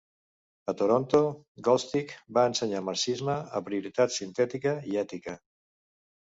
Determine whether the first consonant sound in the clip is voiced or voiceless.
voiceless